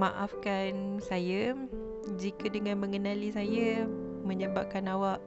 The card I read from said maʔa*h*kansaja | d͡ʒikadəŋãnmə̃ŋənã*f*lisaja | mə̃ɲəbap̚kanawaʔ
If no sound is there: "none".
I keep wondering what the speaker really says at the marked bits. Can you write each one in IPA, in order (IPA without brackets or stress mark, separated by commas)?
f, none